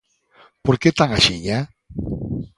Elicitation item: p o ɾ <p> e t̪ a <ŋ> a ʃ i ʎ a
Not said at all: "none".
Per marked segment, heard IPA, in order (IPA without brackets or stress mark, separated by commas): k, ŋ